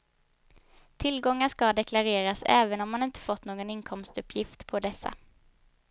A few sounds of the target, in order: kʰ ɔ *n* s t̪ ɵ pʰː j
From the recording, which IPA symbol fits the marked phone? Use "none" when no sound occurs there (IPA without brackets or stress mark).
m